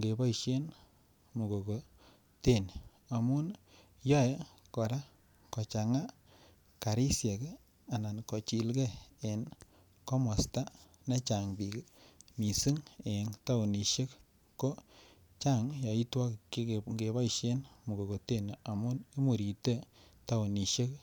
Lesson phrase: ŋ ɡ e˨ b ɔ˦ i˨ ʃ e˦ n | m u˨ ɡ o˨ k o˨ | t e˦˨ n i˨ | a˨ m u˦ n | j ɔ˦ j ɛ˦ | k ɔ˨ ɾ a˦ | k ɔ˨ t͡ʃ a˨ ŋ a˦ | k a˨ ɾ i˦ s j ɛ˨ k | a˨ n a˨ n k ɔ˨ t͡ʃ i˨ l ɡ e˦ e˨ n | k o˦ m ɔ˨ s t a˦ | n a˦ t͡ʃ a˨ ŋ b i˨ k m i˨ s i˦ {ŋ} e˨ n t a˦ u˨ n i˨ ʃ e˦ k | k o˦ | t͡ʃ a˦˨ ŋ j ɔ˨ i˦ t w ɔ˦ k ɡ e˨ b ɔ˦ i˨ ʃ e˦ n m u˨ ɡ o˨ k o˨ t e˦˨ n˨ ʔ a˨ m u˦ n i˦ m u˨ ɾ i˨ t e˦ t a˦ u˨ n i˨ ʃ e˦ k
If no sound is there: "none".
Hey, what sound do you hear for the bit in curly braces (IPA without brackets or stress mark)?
ŋ